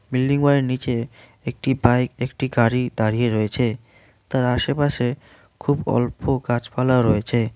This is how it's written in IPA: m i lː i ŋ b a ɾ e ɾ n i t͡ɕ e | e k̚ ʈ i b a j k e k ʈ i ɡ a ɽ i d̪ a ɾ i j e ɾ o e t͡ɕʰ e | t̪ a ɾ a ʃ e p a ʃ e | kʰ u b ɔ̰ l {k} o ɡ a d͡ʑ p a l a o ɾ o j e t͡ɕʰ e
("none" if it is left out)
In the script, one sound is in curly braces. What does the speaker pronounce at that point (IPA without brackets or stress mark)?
p